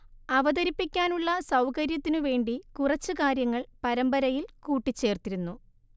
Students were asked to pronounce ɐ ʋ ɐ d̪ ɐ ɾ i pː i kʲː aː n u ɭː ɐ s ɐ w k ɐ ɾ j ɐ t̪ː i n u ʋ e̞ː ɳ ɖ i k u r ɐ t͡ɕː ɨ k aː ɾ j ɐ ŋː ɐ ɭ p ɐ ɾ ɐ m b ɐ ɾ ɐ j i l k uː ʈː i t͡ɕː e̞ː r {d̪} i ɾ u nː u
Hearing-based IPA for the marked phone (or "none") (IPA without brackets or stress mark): t̪